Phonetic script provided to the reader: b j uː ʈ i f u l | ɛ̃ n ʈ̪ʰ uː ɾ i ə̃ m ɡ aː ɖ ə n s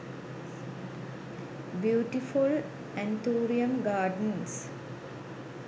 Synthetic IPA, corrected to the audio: b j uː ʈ i f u l | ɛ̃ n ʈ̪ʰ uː ɾ i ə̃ m ɡ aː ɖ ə n s